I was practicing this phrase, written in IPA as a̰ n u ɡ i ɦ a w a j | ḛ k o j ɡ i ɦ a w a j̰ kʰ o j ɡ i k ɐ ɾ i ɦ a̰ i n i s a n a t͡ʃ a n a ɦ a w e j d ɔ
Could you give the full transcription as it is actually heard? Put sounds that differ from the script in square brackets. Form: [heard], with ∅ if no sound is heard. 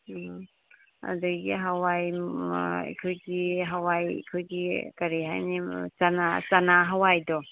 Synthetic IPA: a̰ [d] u ɡ i ɦ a w a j | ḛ [kʰ] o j ɡ i ɦ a w a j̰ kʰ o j ɡ i k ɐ ɾ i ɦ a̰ [j] n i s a n a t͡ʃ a n a ɦ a w [a] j d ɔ